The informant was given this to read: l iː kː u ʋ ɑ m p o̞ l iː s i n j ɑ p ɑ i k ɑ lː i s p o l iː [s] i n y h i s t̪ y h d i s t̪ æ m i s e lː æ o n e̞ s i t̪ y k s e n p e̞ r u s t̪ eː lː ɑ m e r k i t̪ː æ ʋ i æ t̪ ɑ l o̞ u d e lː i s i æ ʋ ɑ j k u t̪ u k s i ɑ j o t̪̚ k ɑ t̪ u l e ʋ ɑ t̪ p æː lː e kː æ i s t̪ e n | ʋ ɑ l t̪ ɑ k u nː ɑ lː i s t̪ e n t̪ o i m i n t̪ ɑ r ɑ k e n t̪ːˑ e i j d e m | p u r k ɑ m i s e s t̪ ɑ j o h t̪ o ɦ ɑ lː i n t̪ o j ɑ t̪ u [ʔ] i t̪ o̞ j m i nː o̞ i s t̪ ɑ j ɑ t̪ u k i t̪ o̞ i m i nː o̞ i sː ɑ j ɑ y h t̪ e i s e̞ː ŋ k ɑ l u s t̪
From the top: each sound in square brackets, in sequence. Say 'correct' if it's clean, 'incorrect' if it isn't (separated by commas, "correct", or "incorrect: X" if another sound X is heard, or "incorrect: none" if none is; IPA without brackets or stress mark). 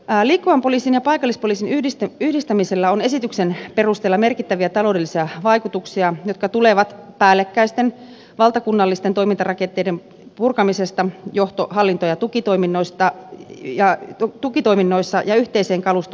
correct, incorrect: k